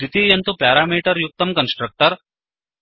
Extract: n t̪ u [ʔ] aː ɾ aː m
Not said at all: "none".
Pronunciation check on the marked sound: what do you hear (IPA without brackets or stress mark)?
p